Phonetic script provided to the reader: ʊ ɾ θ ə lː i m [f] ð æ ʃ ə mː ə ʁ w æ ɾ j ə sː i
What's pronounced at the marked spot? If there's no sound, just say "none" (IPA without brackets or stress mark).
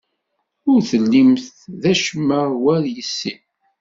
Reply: θ